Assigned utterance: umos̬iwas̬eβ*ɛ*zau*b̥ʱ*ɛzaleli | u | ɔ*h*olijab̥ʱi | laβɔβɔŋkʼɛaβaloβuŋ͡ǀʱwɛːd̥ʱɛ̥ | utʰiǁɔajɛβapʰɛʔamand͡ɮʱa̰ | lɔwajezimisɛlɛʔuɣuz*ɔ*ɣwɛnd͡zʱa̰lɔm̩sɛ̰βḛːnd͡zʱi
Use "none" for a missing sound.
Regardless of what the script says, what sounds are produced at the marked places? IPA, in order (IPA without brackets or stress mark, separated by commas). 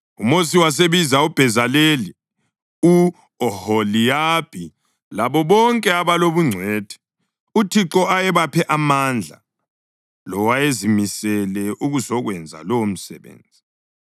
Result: i, b̥ʱ, h, ɔ